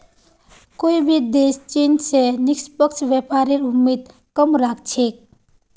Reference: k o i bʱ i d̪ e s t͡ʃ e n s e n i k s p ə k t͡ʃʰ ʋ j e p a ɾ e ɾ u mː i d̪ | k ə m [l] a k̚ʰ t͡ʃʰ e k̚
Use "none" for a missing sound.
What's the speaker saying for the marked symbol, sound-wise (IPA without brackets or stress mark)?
ɾ